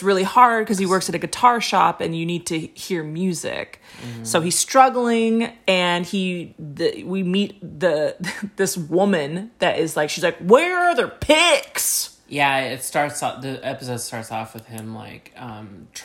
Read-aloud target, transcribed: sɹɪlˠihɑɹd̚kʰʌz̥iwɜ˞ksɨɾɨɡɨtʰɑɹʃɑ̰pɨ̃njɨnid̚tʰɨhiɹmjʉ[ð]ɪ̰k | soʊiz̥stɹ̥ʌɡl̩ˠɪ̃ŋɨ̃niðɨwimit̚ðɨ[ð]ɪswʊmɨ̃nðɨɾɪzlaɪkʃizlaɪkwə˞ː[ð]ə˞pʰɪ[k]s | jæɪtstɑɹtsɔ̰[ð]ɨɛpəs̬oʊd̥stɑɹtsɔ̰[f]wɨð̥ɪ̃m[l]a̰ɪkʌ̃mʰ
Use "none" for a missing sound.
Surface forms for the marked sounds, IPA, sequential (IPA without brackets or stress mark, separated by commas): z, ð, ð, k, ð, f, l